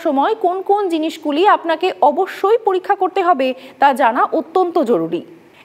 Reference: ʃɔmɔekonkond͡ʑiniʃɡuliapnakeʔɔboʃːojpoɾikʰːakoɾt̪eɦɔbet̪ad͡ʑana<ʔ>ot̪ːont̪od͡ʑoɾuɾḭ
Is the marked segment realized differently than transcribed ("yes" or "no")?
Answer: no